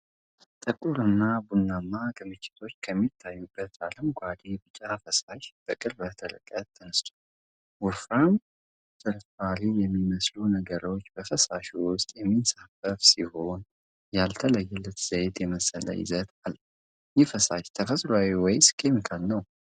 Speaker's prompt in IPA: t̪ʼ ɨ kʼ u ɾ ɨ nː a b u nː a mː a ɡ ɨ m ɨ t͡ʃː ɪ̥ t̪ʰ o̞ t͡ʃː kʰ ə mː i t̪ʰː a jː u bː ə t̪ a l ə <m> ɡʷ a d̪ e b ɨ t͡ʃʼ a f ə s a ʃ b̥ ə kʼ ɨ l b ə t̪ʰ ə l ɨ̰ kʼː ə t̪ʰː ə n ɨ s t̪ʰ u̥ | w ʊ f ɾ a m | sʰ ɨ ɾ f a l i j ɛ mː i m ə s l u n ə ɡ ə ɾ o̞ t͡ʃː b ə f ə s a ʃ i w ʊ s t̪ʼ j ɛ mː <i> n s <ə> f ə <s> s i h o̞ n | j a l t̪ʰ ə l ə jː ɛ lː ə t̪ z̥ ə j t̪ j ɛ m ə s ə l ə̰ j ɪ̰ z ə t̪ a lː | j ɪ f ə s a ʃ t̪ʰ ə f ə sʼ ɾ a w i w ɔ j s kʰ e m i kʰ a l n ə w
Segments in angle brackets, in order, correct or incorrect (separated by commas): correct, correct, incorrect, incorrect